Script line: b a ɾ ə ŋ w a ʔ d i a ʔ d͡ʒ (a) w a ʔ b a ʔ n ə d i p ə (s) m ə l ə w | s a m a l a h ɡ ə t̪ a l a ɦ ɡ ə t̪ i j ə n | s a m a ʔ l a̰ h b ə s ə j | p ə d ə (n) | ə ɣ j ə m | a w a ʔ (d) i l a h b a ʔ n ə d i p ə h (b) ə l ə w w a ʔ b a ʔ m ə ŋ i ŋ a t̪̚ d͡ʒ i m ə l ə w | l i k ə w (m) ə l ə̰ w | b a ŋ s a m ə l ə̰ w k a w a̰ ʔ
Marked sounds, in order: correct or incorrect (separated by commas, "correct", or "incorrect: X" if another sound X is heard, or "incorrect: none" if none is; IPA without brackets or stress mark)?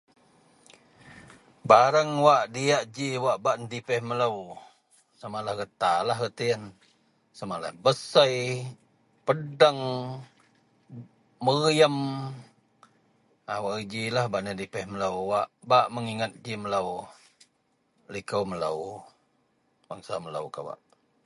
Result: incorrect: i, incorrect: h, incorrect: ŋ, incorrect: d͡ʒ, incorrect: m, correct